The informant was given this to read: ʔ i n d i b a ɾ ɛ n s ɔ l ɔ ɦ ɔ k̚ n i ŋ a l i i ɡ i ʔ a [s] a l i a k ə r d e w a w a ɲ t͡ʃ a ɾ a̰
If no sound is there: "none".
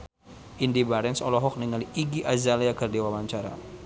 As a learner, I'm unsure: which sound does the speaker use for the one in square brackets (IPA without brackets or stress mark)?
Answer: z